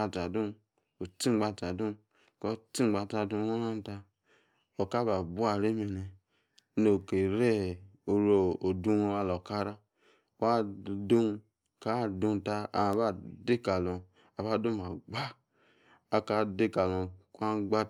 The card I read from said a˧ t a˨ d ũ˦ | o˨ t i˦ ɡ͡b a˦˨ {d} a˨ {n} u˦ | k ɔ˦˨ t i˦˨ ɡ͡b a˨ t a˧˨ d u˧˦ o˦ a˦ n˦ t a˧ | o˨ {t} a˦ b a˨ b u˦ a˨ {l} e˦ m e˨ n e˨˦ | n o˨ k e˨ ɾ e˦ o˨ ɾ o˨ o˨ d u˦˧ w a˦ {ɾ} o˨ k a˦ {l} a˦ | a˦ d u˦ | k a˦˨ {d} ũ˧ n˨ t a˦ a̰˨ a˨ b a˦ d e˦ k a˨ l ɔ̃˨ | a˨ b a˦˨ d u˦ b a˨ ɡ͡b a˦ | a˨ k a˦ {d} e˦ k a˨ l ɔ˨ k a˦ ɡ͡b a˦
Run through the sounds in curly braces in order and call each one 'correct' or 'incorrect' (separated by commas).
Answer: incorrect, incorrect, incorrect, incorrect, incorrect, incorrect, correct, correct